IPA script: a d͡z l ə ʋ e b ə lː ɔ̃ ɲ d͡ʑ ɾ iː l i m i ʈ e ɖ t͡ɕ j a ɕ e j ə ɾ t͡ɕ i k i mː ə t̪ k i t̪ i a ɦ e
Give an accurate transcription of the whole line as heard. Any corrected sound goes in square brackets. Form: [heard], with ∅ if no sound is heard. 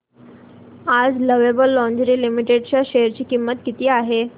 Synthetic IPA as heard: a d͡z l ə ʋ e b ə lː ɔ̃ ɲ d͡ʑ ɾ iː l i m i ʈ e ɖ t͡ɕ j a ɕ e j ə ɾ t͡ɕ [iː] k i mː ə t̪ k i t̪ [iː] a ɦ e